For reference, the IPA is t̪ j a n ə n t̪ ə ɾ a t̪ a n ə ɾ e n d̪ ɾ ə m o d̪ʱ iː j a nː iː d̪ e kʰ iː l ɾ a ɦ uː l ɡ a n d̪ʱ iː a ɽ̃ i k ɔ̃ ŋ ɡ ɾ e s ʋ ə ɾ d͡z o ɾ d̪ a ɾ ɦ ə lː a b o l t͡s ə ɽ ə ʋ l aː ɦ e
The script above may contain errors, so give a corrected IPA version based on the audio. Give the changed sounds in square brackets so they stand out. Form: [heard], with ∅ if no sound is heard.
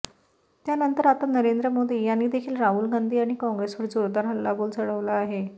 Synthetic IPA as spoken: t̪ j a n ə n t̪ ə ɾ a t̪ a n ə ɾ e n d̪ ɾ ə m o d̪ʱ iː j a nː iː d̪ e kʰ iː l ɾ a ɦ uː l ɡ a n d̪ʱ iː a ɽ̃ i k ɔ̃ ŋ ɡ ɾ e s ʋ ə ɾ d͡z o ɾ d̪ a ɾ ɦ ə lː a b o l t͡s ə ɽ ə ʋ l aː ɦ e